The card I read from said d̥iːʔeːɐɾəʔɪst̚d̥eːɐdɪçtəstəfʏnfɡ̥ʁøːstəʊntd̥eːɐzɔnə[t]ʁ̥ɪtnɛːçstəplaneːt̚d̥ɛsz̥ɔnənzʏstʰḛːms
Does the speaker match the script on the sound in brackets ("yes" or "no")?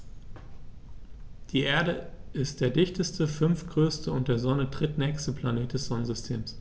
no